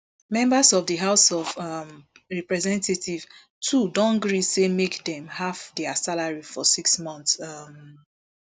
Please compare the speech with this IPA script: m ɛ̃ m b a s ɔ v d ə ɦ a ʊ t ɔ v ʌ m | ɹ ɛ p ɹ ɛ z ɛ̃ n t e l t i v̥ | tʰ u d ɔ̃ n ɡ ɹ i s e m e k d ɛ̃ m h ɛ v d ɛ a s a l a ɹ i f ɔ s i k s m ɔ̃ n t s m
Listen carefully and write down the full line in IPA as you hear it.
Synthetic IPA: m ɛ̃ m b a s ɔ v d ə ɦ a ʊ s ɔ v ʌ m | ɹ ɛ p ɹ ɛ z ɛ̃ n t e t i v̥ | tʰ u d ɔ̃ n ɡ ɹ i s e m e k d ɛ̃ m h a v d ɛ a s a l a ɹ i f ɔ s i k s m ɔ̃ n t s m